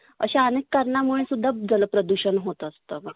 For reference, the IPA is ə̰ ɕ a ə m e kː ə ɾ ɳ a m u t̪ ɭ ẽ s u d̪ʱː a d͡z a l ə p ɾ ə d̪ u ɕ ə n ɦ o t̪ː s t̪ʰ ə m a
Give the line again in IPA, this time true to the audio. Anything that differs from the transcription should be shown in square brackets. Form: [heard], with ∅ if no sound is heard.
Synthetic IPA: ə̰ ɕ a ə [n] e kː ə ɾ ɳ a m u [∅] ɭ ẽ s u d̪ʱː a d͡z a l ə p ɾ ə d̪ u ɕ ə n ɦ o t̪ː s [t̪] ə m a